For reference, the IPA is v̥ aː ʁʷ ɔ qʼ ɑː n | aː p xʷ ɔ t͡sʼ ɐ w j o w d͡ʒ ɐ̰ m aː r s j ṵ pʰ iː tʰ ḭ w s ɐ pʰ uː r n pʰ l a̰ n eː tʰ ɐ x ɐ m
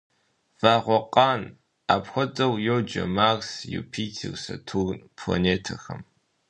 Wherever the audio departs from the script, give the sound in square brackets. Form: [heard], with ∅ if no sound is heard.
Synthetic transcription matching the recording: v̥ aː ʁʷ ɔ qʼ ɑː n | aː p xʷ ɔ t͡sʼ ɐ w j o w d͡ʒ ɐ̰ m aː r s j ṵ pʰ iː tʰ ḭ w s ɐ [tʰ] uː r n pʰ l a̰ n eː tʰ ɐ x ɐ m